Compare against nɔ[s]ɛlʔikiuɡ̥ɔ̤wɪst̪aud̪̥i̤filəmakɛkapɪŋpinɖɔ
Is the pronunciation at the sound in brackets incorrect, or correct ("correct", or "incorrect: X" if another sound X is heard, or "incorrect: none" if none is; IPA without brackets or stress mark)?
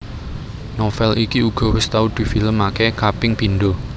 incorrect: f